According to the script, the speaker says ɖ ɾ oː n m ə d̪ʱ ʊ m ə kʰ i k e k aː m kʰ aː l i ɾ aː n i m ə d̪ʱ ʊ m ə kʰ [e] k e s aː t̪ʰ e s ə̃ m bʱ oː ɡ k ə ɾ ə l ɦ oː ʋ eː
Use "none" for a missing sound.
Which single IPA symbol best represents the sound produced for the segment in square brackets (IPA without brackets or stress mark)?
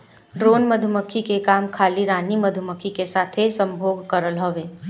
i